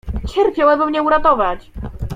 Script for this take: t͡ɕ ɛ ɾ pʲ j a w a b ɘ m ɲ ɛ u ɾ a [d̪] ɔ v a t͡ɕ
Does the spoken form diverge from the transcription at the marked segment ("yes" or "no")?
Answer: yes